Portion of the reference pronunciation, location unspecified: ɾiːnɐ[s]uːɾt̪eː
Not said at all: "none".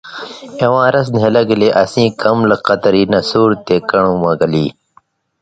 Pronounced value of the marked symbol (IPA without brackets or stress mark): s